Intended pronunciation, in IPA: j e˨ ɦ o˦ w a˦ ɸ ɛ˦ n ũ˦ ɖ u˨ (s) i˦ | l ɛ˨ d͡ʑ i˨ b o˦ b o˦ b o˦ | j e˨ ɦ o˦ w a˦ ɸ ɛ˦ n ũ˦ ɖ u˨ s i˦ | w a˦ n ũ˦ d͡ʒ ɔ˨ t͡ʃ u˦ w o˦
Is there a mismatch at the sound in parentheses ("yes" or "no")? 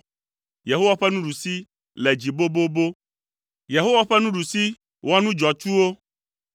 no